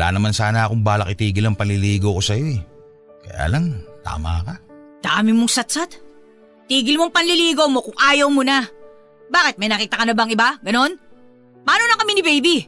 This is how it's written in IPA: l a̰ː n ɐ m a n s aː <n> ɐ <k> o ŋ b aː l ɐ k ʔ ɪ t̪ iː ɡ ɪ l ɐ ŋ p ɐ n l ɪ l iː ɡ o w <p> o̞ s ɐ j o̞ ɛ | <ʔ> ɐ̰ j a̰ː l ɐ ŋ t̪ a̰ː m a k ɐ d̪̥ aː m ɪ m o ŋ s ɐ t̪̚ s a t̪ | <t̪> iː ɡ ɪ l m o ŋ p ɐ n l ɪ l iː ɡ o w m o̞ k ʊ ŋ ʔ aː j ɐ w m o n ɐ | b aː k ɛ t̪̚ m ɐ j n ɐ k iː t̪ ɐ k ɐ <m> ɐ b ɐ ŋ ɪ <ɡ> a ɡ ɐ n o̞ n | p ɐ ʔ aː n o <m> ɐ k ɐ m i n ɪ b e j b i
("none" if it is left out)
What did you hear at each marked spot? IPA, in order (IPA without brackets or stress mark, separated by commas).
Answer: n, k, k, k, t̪, n, b, n